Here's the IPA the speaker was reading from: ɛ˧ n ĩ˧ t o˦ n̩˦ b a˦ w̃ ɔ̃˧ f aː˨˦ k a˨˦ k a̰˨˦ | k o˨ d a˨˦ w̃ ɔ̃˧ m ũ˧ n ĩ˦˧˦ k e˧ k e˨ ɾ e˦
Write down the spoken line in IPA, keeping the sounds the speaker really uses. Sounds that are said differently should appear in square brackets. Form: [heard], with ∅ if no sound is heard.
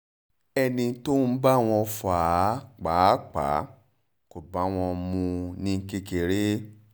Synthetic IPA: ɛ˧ n ĩ˧ t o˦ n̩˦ b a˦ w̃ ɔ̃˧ f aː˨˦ [k͡p] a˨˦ [k͡p] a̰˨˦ | k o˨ [b] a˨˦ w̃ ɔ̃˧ m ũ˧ n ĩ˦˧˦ k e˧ k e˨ ɾ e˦